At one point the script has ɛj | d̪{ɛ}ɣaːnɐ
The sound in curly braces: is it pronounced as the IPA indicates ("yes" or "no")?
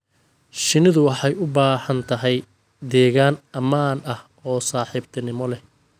no